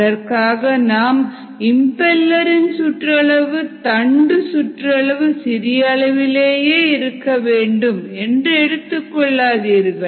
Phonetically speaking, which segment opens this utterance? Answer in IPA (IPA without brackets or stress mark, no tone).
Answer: ɐ